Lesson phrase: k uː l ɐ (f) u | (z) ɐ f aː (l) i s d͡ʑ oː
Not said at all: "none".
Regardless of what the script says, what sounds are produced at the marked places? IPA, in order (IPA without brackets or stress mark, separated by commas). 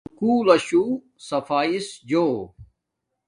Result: ɕ, s, none